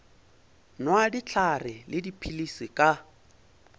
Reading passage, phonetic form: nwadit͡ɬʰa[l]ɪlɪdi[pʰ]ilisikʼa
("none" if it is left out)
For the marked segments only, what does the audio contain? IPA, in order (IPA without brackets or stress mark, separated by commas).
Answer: r, pʰ